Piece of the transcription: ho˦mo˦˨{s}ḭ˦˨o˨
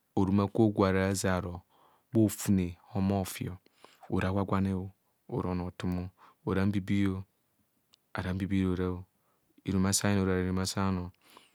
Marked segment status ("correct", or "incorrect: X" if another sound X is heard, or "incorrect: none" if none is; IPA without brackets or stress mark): incorrect: f